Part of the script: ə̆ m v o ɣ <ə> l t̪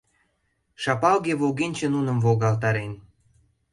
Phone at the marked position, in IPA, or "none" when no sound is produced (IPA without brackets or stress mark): ɑ